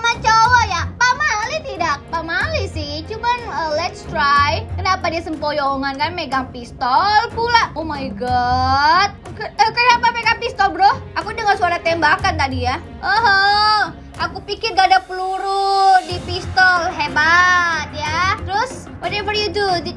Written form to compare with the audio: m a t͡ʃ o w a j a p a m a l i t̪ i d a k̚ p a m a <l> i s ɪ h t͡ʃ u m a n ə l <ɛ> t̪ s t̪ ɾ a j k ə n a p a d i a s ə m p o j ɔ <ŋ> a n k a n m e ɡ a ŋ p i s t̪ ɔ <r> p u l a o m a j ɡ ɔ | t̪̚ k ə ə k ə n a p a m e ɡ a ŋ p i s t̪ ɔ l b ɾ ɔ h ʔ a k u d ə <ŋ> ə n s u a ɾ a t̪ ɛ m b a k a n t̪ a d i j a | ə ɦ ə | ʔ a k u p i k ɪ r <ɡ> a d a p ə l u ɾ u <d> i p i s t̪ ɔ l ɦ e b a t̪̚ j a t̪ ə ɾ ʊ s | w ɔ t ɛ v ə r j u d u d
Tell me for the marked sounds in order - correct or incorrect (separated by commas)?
correct, correct, correct, incorrect, correct, correct, correct